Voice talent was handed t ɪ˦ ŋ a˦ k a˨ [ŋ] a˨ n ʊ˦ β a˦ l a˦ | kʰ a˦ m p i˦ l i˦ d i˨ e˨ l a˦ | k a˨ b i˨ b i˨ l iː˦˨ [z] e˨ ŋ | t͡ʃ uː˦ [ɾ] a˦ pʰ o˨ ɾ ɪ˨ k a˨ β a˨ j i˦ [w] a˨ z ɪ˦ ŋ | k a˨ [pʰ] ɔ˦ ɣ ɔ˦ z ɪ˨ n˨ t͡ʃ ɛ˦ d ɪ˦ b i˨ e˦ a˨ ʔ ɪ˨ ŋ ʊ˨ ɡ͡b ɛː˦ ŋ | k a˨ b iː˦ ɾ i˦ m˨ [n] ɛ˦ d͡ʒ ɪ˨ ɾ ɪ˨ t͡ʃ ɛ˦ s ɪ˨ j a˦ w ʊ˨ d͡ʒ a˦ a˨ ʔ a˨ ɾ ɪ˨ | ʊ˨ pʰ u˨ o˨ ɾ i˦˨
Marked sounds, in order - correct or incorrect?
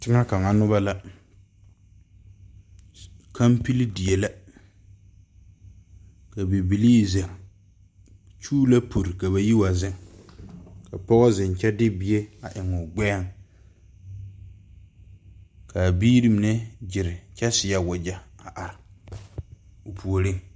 correct, correct, incorrect, correct, incorrect, correct

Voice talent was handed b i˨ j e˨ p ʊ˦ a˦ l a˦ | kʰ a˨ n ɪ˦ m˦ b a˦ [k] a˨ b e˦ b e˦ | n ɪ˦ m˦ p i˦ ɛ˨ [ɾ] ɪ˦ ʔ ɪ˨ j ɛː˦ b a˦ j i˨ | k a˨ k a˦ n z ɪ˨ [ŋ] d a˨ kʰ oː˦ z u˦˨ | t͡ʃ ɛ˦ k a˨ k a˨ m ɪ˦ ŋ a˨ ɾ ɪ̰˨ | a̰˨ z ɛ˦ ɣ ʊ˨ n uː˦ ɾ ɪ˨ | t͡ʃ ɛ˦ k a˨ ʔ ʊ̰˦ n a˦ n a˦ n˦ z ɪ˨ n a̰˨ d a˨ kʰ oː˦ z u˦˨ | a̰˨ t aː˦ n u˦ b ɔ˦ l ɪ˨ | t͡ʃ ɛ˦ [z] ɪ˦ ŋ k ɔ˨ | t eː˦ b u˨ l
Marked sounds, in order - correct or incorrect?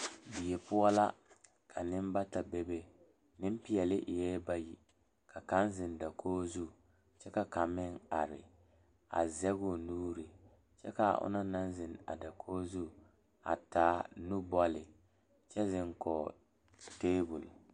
incorrect, incorrect, incorrect, correct

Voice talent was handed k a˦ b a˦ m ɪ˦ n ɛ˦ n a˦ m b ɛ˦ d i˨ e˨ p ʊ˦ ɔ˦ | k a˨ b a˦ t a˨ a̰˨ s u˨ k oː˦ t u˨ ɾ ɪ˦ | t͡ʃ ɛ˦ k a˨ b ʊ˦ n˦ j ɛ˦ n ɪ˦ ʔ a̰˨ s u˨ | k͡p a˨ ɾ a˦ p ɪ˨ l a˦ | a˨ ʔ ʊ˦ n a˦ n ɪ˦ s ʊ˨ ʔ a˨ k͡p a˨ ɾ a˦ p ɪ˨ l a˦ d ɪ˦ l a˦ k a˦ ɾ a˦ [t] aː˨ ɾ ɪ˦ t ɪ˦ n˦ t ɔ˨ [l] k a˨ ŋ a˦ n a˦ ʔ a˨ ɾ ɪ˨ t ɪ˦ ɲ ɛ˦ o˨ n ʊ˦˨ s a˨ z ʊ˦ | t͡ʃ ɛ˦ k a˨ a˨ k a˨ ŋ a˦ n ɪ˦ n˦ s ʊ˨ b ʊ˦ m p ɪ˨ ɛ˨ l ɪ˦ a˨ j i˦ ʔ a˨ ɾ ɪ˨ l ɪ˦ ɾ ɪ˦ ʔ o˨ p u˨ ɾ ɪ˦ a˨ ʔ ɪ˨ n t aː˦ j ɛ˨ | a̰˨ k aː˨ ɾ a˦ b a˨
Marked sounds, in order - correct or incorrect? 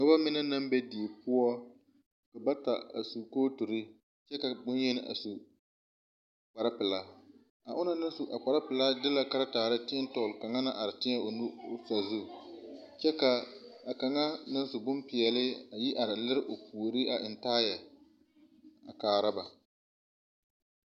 correct, correct

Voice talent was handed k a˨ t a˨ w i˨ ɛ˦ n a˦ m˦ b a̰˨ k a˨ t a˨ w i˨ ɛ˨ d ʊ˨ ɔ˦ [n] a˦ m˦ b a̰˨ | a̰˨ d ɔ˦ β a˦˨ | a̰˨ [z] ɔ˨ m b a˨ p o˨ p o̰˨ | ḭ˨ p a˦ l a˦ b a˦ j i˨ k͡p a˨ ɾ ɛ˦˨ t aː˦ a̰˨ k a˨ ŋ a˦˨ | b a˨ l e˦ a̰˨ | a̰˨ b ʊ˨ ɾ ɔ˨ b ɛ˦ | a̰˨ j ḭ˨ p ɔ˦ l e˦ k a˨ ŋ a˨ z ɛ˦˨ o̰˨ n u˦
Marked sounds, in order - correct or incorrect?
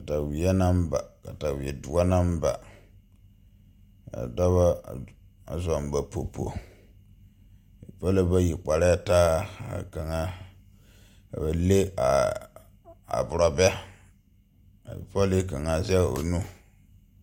correct, correct

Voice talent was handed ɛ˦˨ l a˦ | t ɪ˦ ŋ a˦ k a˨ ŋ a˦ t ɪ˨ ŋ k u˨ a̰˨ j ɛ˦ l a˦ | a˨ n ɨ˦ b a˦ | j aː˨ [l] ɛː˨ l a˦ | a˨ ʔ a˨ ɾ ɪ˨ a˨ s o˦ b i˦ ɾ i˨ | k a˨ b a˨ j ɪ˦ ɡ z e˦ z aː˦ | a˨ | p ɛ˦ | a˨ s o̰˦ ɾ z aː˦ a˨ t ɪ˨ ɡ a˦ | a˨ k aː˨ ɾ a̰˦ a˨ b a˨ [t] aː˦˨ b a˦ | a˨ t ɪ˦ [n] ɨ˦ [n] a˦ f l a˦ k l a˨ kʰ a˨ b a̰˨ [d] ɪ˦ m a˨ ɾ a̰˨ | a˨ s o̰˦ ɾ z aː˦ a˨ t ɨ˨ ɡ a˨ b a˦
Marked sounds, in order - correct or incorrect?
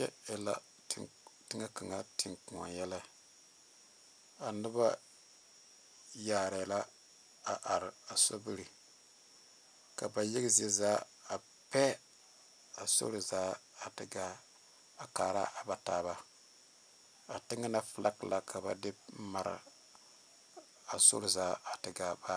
incorrect, correct, incorrect, correct, correct

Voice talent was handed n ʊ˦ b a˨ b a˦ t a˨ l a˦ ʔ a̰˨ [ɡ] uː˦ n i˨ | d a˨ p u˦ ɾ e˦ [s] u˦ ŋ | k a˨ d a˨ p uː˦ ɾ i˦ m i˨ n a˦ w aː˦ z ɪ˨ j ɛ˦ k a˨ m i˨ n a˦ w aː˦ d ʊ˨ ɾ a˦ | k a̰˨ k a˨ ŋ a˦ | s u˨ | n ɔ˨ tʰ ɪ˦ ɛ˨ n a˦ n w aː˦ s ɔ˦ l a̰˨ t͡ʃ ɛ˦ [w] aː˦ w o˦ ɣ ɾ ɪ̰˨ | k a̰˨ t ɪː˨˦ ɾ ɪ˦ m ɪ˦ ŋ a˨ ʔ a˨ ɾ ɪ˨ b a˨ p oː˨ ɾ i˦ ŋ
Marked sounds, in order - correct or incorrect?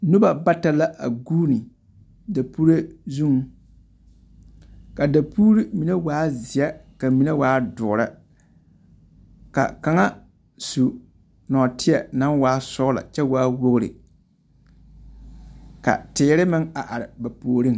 correct, incorrect, correct

